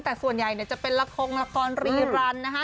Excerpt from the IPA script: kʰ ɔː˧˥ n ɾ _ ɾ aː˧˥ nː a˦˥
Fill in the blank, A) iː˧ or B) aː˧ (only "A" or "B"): A